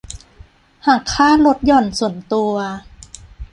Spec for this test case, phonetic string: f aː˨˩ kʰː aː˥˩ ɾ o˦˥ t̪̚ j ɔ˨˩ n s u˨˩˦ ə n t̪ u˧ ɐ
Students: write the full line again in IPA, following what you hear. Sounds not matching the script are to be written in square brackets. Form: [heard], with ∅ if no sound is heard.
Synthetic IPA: [h] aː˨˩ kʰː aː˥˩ [l] o˦˥ t̪̚ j ɔ˨˩ n s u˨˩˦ ə n t̪ u˧ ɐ